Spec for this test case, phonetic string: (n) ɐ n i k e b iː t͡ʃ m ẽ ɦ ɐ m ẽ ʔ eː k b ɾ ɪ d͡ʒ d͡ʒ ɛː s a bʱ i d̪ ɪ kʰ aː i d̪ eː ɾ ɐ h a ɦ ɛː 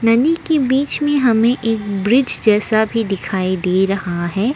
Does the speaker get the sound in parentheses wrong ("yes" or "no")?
no